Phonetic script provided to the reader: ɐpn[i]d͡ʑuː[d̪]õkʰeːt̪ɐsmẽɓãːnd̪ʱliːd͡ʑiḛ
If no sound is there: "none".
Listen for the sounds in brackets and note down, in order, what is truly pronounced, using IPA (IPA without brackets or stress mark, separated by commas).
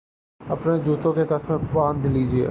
e, t̪